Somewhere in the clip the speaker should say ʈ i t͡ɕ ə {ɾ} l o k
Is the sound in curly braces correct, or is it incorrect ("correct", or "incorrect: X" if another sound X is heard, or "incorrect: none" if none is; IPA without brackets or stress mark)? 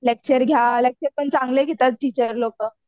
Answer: correct